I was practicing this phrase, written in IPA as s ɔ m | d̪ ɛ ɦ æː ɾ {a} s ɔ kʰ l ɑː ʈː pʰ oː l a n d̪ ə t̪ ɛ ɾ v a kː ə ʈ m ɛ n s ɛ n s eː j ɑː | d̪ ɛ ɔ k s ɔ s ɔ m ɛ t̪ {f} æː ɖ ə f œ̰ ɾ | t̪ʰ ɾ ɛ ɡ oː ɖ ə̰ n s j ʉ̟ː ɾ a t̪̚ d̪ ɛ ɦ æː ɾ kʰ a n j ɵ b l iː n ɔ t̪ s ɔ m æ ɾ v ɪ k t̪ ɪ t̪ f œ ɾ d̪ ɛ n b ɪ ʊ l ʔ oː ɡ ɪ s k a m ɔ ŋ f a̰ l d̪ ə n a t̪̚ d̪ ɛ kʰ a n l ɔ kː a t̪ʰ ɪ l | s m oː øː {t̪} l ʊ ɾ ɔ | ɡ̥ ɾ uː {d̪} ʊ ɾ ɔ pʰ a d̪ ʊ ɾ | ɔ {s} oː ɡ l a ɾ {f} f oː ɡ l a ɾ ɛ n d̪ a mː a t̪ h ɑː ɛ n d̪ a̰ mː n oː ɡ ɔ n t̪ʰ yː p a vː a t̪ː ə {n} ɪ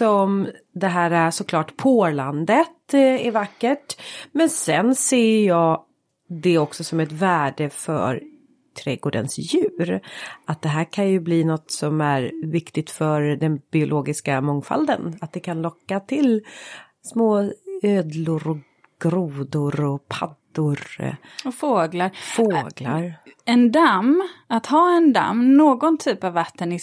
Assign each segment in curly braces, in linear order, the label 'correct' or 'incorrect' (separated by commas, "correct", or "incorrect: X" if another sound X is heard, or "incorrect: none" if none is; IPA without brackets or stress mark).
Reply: correct, incorrect: v, incorrect: d̪, correct, incorrect: f, correct, correct